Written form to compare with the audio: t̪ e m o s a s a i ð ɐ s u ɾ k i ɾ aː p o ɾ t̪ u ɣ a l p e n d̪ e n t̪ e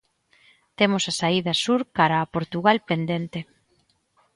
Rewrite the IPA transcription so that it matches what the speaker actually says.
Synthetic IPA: t̪ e m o s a s a i ð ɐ s u ɾ k a ɾ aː p o ɾ t̪ u ɣ a l p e n d̪ e n t̪ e